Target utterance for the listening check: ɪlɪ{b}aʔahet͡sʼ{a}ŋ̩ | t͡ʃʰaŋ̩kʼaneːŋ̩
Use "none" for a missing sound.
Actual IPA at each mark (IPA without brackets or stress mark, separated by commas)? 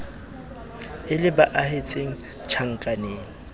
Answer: b, e